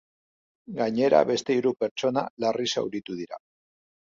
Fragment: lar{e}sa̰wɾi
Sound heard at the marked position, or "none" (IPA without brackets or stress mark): i